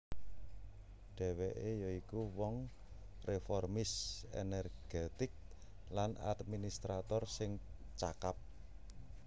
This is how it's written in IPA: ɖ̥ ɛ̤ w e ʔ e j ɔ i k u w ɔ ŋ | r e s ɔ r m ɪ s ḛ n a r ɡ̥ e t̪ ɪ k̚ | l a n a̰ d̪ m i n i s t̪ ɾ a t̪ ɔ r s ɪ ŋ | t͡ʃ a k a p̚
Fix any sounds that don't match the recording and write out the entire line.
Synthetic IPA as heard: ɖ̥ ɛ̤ w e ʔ e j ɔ i k u w ɔ ŋ | r e f ɔ r m ɪ s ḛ n ɛ r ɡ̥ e t̪ ɪ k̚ | l a n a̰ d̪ m i n i s t̪ ɾ a t̪ ɔ r s ɪ ŋ | t͡ʃ a k a p̚